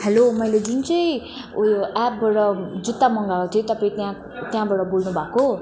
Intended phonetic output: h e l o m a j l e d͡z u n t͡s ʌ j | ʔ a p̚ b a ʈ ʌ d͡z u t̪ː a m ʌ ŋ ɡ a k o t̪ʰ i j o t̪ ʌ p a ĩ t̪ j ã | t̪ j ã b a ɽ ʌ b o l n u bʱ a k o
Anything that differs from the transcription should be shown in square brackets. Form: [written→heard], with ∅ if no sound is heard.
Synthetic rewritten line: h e l o m [a→ʌ] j l e d͡z u n t͡s ʌ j | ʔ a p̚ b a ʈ ʌ d͡z u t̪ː a m ʌ ŋ ɡ a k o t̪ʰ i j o t̪ ʌ p a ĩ t̪ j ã | t̪ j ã b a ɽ ʌ b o l n u bʱ a k o